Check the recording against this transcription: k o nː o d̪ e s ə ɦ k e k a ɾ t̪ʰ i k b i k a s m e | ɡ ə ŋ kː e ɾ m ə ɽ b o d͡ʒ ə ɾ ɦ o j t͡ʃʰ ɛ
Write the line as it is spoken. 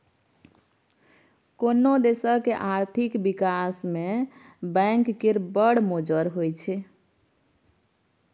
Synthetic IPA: k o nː o d̪ e s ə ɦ k e ʔ a ɾ t̪ʰ i k b i k a s m e | b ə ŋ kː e ɾ b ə ɽ m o d͡ʒ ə ɾ ɦ o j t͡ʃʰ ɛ